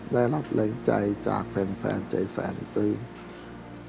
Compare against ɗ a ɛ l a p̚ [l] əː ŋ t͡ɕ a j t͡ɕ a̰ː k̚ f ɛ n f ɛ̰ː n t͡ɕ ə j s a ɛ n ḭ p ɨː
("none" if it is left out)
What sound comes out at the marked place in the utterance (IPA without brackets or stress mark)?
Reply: l